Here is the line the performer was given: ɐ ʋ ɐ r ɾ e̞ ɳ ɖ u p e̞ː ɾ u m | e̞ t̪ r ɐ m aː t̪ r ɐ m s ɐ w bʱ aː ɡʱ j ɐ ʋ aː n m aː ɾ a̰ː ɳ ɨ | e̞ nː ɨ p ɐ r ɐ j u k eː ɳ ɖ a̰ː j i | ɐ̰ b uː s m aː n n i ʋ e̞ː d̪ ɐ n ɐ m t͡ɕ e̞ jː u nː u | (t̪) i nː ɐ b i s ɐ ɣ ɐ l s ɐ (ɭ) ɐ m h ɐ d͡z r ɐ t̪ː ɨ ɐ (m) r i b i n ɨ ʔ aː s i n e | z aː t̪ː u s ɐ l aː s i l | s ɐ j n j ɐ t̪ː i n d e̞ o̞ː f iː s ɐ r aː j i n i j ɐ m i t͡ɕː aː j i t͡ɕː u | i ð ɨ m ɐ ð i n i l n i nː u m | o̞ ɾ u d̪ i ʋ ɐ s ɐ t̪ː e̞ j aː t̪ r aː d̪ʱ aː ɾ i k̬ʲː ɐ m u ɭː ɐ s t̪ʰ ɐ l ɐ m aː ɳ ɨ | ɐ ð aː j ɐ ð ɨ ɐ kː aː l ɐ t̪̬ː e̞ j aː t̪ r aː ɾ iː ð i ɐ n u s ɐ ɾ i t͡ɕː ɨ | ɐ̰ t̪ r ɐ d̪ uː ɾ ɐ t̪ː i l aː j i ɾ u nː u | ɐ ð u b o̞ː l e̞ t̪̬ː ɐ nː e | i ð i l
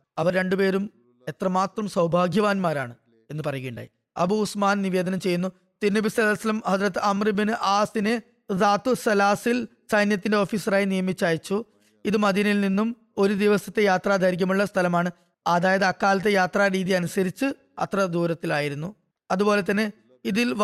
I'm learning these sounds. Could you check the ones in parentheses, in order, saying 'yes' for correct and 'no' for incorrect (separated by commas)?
yes, no, yes